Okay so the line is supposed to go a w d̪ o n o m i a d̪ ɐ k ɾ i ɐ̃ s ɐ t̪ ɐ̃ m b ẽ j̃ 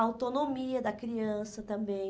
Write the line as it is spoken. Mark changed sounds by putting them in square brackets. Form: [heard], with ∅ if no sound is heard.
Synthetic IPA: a w [t̪] o n o m i [ɐ] d̪ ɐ k ɾ i ɐ̃ s ɐ t̪ ɐ̃ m b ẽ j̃